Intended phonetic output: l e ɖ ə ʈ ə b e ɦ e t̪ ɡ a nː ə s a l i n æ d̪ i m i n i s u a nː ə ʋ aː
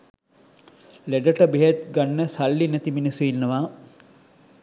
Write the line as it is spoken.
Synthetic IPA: l e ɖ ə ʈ ə b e ɦ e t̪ ɡ a nː ə s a lː i n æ t̪ i m i n i s u i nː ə ʋ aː